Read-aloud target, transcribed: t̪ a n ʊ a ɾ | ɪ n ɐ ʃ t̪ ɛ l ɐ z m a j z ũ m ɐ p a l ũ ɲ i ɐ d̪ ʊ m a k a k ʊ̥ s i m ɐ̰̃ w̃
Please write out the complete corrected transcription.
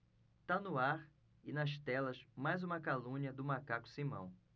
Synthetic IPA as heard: t̪ a n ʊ a ɾ | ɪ n ɐ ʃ t̪ ɛ l ɐ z m a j z ũ m ɐ k a l ũ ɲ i ɐ d̪ ʊ m a k a k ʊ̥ s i m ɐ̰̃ w̃